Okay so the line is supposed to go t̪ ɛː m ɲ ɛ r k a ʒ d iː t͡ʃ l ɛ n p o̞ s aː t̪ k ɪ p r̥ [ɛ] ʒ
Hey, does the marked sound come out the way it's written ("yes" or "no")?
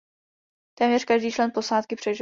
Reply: yes